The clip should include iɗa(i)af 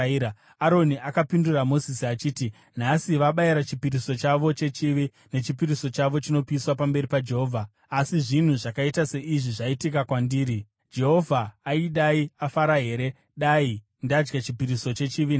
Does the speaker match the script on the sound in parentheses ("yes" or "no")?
yes